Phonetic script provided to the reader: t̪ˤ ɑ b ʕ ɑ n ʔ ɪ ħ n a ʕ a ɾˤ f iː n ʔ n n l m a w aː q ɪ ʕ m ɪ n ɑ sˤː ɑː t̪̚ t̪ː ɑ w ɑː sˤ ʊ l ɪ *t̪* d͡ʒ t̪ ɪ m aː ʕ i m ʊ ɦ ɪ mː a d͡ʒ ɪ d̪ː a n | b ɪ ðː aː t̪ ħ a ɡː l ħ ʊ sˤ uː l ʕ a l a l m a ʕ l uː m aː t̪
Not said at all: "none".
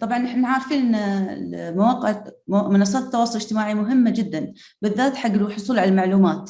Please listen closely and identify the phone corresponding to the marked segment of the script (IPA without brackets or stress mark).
none